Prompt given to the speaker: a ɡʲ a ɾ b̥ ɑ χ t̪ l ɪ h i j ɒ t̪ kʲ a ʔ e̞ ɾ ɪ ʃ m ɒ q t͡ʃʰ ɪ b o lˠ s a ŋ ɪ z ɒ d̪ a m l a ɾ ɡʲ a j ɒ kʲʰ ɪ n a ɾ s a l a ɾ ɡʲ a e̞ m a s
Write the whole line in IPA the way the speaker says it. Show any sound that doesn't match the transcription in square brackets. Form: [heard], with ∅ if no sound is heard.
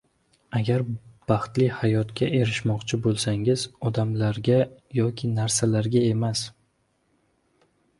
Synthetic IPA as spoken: a ɡʲ a ɾ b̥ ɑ χ t̪ l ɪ h [a] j ɒ t̪ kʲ a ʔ e̞ ɾ ɪ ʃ m ɒ q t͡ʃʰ ɪ b o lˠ s a ŋ ɪ z ɒ d̪ a m l a ɾ ɡʲ a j ɒ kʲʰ ɪ n a ɾ s a l a ɾ ɡʲ a e̞ m a s